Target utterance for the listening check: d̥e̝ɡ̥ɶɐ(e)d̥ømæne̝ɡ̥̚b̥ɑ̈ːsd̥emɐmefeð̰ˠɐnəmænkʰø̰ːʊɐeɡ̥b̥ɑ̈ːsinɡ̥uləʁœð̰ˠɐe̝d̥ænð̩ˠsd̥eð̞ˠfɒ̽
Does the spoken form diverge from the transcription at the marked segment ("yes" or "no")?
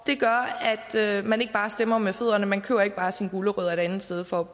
yes